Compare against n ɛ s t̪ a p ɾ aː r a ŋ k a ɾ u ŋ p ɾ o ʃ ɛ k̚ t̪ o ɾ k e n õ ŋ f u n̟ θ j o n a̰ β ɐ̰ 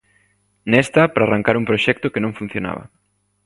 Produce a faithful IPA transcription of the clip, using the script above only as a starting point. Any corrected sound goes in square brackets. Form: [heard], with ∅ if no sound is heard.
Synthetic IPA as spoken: n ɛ s t̪ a p ɾ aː r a ŋ k a ɾ u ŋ p ɾ o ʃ ɛ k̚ t̪ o [∅] k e n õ ŋ f u n̟ θ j o n a̰ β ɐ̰